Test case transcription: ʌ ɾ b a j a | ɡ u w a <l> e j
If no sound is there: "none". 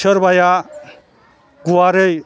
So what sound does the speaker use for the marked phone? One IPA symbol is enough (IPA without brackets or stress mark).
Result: ɾ